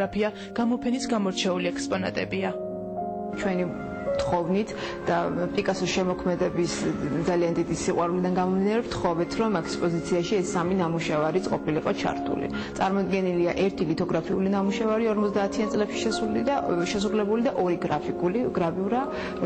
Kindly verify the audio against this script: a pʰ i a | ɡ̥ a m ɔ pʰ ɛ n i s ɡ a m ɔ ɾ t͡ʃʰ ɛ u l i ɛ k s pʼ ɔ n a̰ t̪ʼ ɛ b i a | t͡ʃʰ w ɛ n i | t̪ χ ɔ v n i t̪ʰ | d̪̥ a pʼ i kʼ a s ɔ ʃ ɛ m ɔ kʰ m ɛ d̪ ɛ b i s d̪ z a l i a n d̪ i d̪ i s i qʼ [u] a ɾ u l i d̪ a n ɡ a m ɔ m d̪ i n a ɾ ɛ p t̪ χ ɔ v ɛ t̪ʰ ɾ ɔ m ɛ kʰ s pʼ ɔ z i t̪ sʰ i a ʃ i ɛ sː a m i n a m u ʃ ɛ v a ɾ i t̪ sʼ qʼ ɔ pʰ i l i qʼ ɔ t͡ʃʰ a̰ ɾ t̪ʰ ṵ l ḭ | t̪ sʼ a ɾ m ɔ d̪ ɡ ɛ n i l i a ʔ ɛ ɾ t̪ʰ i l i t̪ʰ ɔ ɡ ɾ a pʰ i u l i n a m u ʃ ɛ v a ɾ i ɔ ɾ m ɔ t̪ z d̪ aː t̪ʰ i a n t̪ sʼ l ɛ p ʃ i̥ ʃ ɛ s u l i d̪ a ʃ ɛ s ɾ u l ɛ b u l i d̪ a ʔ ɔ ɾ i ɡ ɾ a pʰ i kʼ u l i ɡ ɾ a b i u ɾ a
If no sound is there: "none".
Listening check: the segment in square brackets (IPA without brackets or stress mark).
w